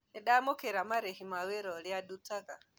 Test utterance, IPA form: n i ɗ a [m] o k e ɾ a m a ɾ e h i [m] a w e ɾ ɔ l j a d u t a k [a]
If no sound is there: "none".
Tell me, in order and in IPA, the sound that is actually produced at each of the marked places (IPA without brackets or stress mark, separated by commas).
m, m, a